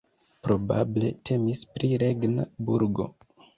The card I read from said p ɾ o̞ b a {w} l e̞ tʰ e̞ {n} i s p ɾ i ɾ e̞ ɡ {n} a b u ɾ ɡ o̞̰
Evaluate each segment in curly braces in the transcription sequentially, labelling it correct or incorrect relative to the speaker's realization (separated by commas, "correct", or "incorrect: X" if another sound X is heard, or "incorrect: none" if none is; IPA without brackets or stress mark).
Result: incorrect: b, incorrect: m, correct